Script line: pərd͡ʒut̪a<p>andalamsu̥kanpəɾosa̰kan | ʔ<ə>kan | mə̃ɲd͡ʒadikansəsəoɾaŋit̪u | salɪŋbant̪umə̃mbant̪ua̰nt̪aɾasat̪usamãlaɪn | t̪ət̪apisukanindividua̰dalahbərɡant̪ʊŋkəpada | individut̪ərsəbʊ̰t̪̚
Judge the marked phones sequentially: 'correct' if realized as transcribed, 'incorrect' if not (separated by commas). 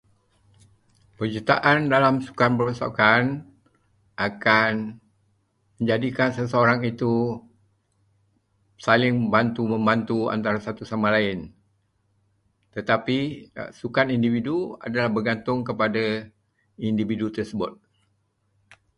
incorrect, incorrect